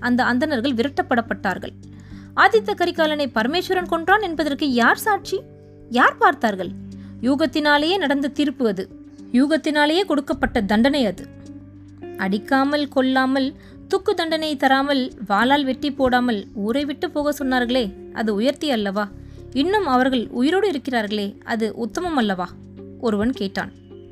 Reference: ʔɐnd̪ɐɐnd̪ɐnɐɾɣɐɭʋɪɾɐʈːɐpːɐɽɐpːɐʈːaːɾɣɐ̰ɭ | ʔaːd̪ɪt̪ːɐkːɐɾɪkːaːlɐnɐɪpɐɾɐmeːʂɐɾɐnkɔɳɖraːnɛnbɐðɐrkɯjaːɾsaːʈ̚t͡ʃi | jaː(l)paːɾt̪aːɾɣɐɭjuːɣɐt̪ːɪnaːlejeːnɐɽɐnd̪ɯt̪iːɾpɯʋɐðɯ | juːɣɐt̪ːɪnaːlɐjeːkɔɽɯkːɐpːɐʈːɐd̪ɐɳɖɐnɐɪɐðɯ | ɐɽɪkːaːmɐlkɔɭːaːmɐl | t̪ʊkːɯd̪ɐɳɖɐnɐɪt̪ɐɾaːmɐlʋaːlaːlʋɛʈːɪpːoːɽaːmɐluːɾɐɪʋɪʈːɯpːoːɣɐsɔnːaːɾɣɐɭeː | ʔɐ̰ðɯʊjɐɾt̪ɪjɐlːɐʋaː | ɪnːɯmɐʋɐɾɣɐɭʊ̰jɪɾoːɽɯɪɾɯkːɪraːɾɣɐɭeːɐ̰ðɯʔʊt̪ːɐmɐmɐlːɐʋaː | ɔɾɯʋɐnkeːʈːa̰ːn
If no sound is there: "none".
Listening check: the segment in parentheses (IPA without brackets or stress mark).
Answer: ɾ